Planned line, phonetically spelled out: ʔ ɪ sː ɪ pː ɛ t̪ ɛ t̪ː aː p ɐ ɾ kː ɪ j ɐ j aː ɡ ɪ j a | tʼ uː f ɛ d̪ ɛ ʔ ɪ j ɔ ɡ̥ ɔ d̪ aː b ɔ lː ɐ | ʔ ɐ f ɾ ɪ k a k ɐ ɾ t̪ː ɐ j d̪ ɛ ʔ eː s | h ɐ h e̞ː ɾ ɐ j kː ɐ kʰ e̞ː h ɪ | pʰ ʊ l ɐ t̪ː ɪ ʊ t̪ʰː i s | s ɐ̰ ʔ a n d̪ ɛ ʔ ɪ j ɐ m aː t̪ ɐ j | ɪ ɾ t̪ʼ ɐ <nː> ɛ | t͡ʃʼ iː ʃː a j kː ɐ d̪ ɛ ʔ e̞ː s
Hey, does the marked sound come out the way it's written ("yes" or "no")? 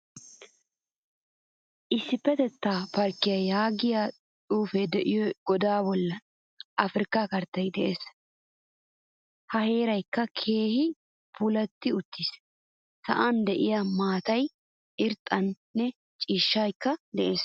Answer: yes